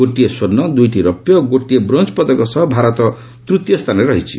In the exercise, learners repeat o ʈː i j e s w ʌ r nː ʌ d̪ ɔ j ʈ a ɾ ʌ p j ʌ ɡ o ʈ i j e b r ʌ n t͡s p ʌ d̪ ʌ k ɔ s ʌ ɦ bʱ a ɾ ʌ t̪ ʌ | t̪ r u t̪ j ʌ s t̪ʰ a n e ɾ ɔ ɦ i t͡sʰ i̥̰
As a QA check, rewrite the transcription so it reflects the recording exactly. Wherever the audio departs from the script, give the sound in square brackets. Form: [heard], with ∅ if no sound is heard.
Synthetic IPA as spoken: o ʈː i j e s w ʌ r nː ʌ d̪ [u] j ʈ [i] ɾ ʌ p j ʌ ɡ o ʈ i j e b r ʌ n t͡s p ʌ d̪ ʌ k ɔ s ʌ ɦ bʱ a ɾ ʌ t̪ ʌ | t̪ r u t̪ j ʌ s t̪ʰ a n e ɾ [ʌ] ɦ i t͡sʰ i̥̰